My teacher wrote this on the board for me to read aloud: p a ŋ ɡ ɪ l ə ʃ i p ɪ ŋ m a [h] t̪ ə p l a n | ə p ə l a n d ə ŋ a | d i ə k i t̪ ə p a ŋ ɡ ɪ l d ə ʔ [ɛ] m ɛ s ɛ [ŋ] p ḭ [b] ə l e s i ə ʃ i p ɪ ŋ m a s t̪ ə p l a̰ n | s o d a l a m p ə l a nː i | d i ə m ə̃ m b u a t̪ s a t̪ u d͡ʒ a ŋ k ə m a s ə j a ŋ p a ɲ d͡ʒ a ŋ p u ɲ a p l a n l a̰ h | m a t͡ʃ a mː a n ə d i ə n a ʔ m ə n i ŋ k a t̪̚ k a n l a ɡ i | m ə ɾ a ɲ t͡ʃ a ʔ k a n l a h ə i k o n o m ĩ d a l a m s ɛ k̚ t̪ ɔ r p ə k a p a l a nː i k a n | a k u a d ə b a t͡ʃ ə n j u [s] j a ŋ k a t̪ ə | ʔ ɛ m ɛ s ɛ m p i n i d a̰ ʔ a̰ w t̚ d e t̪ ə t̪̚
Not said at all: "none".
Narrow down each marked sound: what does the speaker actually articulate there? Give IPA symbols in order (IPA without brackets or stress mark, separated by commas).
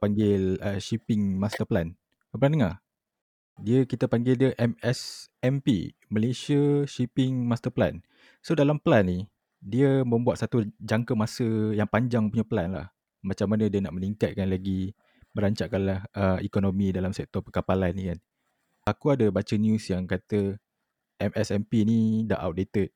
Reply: s, ɛ, m, m, s